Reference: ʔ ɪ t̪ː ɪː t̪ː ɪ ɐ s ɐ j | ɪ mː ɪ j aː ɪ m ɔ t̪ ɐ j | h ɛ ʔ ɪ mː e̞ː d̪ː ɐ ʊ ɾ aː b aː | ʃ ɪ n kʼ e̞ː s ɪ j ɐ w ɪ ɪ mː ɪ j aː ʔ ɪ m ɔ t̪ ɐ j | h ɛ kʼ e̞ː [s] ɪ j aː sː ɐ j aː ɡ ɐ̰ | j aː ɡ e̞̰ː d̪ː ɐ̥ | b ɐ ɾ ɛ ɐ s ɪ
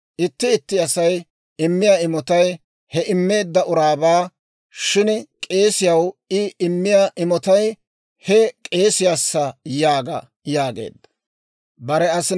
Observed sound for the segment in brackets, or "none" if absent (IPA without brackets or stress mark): s